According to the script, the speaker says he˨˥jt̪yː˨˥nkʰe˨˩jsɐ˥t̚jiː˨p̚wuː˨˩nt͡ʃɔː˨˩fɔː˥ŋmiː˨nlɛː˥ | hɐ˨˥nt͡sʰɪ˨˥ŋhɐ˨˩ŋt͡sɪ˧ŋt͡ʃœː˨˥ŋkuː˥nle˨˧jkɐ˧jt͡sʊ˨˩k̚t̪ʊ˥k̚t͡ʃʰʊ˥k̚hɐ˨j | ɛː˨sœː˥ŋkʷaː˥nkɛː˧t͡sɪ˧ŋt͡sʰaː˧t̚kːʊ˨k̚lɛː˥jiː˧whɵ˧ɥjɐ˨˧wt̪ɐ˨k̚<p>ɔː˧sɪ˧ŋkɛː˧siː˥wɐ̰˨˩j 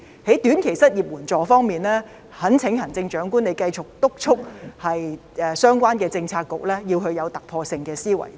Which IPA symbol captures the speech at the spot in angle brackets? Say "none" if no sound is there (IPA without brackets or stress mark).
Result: pʰ